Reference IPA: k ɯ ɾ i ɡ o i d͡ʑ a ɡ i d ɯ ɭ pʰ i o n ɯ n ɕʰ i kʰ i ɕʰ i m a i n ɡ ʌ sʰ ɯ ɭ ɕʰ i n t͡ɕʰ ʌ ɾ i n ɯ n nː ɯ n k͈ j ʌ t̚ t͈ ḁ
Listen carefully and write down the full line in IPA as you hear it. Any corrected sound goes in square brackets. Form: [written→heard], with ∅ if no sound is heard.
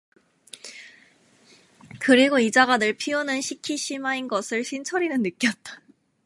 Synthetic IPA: k ɯ ɾ i ɡ o i d͡ʑ a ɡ [i→a] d ɯ ɭ pʰ i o n ɯ n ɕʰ i kʰ i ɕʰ i m a i n ɡ ʌ sʰ ɯ ɭ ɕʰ i n t͡ɕʰ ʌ ɾ i n ɯ n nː ɯ [n→∅] k͈ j ʌ t̚ t͈ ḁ